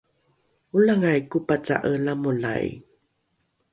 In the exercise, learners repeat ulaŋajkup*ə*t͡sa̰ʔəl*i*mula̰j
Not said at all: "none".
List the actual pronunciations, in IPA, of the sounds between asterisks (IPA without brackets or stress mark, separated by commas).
a, a